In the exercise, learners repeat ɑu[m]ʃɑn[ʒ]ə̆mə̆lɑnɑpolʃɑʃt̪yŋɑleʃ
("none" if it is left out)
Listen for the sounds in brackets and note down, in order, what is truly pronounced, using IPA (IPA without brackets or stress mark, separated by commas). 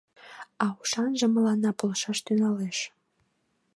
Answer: none, ʒ